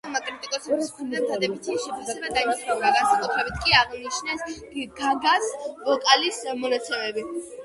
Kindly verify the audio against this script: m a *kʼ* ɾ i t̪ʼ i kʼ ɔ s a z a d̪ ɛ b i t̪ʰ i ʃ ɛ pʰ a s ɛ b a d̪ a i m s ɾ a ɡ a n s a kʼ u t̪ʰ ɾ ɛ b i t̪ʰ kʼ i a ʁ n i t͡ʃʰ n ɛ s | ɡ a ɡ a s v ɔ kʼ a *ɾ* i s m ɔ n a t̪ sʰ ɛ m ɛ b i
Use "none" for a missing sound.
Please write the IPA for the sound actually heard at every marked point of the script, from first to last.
kʼ, l

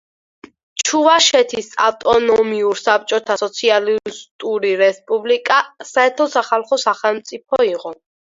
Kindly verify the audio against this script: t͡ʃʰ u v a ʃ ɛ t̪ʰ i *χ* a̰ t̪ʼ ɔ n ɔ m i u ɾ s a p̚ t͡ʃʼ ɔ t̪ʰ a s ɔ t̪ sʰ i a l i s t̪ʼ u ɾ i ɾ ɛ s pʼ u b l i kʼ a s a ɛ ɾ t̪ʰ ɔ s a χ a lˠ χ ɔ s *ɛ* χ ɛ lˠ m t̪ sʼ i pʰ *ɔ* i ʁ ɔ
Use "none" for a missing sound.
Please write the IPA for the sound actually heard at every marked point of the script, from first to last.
s, a, ɔ

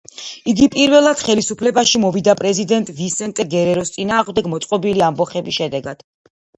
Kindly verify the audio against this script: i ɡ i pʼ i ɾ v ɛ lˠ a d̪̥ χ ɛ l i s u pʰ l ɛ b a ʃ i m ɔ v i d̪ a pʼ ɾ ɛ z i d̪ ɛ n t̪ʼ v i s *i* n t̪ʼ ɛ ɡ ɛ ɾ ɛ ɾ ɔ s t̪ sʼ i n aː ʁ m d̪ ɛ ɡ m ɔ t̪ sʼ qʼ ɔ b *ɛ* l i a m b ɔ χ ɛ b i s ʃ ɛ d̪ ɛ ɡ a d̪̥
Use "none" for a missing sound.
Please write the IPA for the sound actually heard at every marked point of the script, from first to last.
ɛ, i

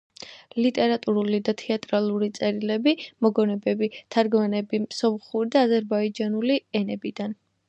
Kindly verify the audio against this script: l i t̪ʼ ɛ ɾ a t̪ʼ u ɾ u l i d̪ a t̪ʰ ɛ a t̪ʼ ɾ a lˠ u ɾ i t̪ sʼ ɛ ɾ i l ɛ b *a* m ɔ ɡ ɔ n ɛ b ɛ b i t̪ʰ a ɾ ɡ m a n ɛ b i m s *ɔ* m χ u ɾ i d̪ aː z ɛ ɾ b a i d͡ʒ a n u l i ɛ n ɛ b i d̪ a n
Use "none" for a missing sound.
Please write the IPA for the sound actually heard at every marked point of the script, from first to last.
i, ɔ

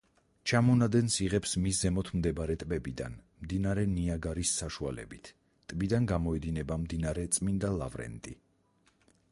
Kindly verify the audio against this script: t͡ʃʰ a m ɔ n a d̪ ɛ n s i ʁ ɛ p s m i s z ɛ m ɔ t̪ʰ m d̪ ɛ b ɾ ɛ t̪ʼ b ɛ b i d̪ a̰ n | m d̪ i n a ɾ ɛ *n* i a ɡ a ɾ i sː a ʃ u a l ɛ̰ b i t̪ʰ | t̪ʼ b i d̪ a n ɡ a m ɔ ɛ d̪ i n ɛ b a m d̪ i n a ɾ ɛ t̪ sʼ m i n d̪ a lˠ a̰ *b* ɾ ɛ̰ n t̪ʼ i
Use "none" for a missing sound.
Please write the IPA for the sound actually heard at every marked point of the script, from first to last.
n, v

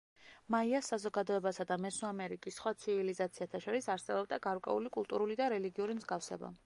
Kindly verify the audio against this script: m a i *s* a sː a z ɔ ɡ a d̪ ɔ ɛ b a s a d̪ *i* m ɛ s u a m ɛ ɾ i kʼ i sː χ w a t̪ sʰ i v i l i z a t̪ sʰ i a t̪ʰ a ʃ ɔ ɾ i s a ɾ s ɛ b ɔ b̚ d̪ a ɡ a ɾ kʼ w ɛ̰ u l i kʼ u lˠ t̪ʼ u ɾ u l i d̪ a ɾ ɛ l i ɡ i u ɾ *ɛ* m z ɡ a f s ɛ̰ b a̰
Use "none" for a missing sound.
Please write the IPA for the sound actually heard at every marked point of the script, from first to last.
none, a, i

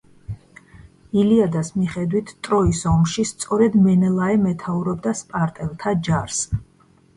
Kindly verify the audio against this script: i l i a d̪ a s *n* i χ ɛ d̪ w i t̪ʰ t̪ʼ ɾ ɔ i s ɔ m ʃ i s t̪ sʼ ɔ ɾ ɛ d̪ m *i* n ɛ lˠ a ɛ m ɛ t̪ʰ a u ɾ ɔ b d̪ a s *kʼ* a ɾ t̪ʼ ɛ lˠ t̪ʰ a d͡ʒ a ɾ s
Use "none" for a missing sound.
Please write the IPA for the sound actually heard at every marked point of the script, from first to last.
m, ɛ, pʼ

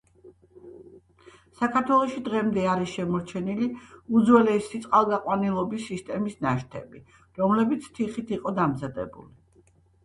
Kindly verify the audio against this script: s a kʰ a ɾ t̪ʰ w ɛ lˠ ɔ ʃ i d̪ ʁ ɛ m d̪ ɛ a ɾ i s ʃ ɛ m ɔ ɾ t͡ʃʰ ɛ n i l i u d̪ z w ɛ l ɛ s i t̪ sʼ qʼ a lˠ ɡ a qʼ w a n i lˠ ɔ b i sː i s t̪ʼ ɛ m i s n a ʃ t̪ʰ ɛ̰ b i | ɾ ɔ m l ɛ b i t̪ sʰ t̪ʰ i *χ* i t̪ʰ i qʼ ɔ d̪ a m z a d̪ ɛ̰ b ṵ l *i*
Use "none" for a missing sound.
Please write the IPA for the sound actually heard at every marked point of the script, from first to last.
χ, i

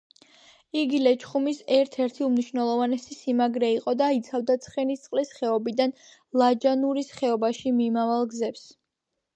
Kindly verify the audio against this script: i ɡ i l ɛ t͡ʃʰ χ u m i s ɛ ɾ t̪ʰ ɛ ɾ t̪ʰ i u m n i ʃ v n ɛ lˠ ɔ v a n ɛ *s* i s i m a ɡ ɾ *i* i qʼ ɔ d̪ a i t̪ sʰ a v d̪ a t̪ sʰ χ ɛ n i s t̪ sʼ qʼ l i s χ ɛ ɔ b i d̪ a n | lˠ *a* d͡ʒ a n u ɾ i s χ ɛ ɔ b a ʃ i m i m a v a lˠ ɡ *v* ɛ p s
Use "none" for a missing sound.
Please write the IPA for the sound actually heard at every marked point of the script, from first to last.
s, ɛ, a, z

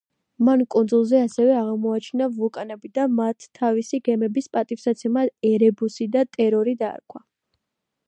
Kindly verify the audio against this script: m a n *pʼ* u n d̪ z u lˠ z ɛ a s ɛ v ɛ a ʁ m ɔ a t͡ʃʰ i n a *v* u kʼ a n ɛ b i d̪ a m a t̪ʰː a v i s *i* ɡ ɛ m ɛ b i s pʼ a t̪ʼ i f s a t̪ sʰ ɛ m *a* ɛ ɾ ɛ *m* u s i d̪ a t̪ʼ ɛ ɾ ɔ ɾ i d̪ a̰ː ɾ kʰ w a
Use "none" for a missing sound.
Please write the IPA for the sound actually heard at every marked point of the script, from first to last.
kʼ, v, i, a, b

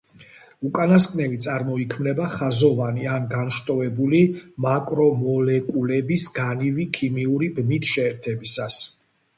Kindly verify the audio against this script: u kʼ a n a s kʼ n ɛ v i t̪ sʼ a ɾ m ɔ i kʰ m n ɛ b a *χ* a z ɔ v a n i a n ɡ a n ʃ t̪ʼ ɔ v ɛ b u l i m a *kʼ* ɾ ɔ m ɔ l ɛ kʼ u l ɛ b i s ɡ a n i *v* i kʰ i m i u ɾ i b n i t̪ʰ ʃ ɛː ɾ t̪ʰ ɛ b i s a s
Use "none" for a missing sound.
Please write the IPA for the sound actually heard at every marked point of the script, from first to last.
χ, kʼ, v

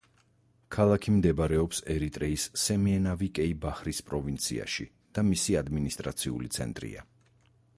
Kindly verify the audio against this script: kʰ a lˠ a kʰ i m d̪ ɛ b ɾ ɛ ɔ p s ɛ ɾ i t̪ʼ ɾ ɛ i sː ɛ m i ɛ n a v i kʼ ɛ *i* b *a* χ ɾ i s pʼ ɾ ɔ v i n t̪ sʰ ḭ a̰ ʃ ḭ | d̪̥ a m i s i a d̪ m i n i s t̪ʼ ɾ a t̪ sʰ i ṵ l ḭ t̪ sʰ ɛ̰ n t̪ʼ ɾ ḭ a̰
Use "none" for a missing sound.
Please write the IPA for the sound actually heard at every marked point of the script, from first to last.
i, a

